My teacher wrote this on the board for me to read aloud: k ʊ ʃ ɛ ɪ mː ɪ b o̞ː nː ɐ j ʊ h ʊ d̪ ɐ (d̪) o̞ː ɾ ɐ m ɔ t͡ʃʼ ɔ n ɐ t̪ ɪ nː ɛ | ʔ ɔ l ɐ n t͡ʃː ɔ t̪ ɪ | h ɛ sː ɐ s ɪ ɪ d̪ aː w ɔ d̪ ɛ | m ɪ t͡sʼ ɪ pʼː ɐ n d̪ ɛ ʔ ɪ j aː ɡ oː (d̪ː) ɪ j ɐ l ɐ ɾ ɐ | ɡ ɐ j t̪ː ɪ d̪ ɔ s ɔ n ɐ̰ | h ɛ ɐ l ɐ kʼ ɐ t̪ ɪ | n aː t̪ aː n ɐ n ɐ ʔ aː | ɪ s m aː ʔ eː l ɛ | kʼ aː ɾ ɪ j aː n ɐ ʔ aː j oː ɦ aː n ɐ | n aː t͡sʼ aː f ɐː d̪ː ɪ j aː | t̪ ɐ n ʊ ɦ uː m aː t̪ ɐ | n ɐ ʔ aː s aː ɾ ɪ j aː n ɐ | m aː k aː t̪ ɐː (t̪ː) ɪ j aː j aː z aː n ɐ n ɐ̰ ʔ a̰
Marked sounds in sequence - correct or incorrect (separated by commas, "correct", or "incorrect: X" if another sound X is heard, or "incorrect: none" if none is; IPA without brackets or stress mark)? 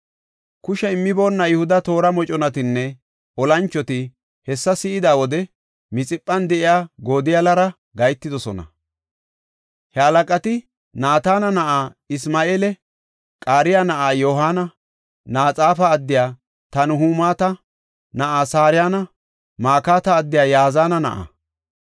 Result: incorrect: t̪, incorrect: d̪, incorrect: d̪ː